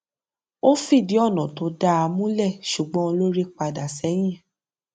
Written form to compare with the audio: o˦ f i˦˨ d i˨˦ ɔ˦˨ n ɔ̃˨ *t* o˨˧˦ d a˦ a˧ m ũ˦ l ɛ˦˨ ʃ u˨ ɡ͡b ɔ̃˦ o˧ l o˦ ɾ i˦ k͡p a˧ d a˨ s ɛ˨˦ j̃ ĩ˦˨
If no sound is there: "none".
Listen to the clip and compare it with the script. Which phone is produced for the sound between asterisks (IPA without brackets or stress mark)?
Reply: t